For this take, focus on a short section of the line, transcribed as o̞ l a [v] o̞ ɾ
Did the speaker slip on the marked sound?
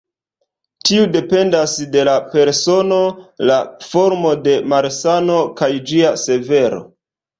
yes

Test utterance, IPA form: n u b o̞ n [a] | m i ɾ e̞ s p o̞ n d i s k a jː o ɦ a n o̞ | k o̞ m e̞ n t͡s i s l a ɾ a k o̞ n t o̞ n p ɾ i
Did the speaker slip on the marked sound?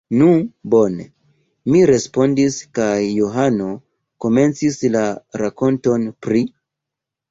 yes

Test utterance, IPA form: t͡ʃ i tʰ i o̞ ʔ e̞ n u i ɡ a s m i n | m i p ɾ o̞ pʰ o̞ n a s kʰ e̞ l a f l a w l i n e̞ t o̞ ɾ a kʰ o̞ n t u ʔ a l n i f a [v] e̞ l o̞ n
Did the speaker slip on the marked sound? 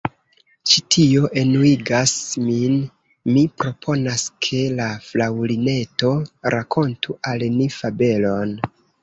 yes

